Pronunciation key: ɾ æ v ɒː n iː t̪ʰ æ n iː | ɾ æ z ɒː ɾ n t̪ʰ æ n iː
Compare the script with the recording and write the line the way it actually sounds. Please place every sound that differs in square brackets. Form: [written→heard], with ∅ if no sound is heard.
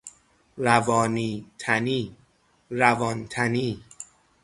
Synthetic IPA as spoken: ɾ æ v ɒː n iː t̪ʰ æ n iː | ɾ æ [z→v] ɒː [ɾ→∅] n t̪ʰ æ n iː